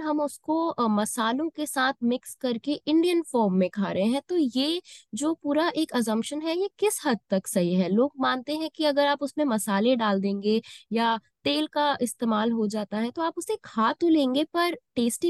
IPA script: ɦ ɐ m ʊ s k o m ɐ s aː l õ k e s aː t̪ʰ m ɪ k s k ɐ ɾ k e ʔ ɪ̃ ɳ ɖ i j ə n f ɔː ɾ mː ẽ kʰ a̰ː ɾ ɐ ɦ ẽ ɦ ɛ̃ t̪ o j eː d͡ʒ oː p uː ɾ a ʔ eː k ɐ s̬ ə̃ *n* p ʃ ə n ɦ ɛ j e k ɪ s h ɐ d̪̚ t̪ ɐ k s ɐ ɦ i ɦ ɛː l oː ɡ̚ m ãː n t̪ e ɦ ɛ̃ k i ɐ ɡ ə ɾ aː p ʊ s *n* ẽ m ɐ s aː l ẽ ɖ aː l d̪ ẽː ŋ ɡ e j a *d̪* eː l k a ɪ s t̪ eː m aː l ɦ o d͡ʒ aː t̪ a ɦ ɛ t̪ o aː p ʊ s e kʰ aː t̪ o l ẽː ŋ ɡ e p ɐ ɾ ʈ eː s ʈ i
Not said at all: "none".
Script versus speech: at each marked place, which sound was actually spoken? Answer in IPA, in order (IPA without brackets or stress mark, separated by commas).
m, m, t̪